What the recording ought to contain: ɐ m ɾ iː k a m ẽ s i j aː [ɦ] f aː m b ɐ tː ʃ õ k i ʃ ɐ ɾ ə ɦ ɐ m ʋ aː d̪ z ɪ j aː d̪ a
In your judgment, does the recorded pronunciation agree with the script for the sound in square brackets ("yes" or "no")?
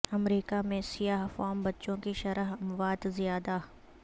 yes